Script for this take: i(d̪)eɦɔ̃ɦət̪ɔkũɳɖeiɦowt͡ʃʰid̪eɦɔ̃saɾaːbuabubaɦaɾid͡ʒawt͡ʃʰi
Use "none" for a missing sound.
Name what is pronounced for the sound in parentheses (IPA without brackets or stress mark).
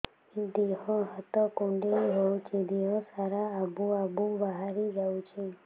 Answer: d̪